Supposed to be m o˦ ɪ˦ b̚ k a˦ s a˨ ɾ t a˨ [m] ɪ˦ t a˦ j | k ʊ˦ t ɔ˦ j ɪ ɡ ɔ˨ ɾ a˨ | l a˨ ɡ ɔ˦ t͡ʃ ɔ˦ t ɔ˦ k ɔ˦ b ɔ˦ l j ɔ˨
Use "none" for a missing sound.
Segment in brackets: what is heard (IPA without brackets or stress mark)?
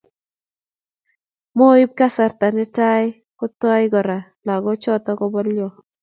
n